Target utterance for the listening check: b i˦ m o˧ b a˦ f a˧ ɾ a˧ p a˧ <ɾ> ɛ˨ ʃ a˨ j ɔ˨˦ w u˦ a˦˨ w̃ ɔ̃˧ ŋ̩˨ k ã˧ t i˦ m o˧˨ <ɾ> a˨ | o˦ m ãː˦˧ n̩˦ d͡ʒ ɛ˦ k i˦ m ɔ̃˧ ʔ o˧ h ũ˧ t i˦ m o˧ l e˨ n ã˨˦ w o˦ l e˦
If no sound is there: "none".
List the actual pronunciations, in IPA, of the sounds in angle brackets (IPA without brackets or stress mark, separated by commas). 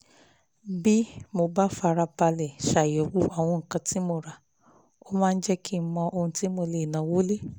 l, ɾ